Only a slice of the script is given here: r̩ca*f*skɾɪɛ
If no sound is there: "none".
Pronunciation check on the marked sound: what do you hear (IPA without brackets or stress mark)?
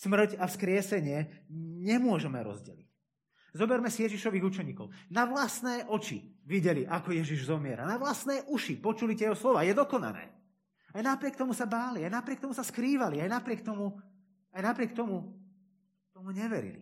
f